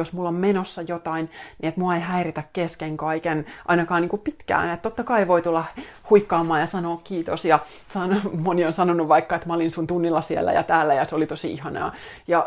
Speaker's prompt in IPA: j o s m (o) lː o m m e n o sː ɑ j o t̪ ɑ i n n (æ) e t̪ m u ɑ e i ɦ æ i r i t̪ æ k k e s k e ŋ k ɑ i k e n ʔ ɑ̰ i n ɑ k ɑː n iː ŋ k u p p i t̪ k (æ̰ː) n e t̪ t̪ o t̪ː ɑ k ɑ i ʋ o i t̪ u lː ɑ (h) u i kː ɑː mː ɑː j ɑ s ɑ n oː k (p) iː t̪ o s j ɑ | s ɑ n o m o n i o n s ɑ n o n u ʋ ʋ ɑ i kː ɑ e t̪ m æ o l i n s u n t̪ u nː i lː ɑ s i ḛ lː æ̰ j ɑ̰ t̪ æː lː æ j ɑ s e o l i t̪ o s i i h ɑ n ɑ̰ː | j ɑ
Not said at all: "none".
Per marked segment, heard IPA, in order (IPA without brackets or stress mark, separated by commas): u, i, æ̰ː, h, k